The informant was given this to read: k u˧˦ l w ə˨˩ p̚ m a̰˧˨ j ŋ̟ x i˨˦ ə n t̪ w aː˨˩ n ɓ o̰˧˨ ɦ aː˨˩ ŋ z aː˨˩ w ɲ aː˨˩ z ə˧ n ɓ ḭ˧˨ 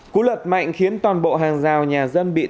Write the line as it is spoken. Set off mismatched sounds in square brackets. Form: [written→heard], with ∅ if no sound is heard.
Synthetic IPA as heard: k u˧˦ l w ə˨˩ [p̚→t̚] m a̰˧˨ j ŋ̟ x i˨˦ ə n t̪ w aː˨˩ n ɓ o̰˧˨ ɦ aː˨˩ ŋ z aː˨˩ w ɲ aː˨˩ z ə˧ n ɓ ḭ˧˨